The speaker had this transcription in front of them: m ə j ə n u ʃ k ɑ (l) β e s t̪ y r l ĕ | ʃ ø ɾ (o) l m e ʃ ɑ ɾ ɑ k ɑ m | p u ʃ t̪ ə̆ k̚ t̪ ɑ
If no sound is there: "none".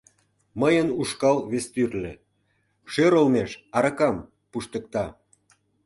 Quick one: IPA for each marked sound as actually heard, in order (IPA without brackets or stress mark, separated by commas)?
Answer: l, o